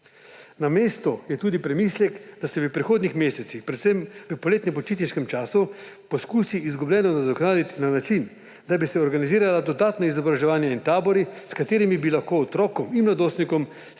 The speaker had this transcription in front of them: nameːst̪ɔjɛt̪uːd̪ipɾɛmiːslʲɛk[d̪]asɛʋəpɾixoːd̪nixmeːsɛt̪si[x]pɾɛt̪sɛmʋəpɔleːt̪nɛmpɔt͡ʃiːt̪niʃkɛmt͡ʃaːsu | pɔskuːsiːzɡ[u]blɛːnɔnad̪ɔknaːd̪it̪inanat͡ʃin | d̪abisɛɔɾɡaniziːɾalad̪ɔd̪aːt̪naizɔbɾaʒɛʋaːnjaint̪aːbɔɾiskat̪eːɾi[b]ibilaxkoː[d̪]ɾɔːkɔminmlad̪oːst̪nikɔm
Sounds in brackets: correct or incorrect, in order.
correct, correct, correct, incorrect: m, incorrect: t̪

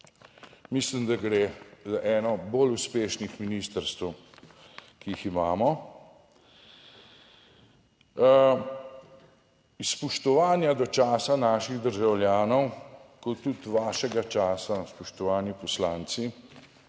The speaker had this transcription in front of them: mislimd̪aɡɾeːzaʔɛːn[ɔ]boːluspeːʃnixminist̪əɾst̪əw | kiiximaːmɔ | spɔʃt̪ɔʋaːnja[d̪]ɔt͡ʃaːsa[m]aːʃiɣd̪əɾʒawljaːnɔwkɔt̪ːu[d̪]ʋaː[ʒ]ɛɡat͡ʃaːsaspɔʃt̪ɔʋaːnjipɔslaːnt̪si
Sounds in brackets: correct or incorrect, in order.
correct, correct, incorrect: n, incorrect: t̪, incorrect: ʃ

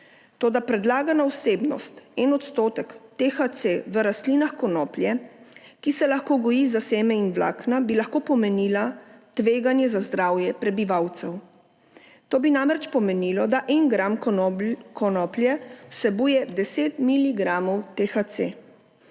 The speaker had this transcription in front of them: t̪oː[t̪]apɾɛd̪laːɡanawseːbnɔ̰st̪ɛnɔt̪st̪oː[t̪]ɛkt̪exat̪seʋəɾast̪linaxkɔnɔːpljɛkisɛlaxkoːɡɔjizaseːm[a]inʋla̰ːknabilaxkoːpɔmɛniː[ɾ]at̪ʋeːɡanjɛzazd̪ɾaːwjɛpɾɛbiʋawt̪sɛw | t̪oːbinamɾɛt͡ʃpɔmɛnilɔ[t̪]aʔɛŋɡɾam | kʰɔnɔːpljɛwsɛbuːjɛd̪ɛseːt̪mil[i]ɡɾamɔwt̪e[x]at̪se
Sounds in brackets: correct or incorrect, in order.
incorrect: d̪, correct, incorrect: ɛ, incorrect: l, incorrect: d̪, correct, correct

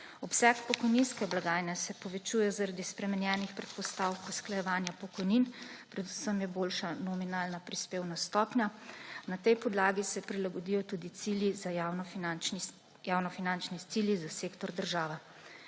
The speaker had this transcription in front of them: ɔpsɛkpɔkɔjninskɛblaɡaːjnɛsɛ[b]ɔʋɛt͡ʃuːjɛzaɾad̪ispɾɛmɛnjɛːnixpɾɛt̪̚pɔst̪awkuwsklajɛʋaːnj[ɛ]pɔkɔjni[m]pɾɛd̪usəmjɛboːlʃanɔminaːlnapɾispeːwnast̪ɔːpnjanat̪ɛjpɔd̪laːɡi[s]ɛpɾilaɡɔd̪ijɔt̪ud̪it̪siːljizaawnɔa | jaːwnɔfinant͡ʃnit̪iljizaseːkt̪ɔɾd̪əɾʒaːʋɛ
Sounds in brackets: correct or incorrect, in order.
incorrect: p, incorrect: a, incorrect: n, correct

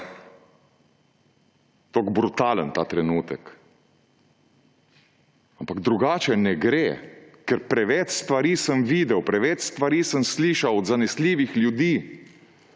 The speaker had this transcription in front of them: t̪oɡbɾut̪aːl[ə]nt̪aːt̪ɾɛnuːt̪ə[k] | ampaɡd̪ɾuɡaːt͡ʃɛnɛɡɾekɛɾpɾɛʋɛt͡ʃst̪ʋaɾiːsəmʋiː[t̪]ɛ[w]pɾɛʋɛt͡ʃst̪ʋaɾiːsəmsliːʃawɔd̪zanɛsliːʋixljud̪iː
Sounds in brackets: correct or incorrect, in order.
correct, correct, incorrect: d̪, correct

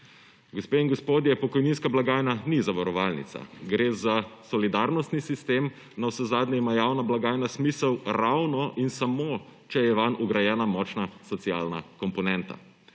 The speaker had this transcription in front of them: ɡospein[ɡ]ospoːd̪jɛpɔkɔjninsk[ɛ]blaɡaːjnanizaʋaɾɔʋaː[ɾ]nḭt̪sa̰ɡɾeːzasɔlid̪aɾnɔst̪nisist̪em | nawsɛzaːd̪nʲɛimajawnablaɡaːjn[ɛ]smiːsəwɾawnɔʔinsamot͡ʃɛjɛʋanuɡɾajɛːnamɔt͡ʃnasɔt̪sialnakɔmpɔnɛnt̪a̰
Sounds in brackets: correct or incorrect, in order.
correct, incorrect: a, incorrect: l, incorrect: a

